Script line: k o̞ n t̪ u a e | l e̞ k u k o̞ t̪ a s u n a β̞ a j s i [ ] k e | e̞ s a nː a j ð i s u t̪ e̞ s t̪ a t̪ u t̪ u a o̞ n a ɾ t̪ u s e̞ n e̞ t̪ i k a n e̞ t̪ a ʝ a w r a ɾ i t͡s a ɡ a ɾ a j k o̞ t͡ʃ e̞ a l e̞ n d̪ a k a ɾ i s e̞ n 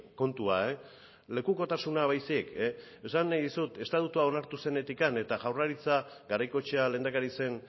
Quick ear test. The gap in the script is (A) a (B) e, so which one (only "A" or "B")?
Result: B